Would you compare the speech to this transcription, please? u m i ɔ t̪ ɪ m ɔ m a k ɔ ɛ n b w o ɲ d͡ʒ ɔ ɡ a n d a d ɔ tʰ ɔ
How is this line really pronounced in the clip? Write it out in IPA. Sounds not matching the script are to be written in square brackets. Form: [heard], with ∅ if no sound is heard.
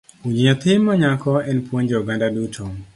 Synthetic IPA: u [ɲ] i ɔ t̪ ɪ m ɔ [ɲ] a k ɔ ɛ n [p] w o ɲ d͡ʒ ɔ ɡ a n d a d [u] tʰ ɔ